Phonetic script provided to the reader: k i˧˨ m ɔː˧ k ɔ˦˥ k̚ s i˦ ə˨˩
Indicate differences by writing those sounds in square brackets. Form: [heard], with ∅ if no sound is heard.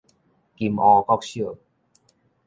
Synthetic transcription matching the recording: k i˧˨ m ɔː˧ k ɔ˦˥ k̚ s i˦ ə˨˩